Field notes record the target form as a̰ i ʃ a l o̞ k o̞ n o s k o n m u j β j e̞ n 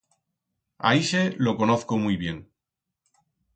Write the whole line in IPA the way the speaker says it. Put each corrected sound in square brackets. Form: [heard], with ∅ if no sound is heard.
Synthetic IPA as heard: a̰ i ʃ [e] l o̞ k o̞ n o [θ] k o [∅] m u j β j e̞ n